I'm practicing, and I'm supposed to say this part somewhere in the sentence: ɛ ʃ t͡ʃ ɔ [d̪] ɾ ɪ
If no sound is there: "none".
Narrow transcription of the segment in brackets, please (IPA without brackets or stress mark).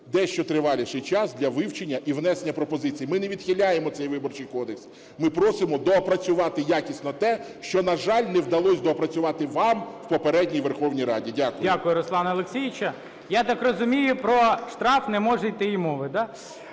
t̪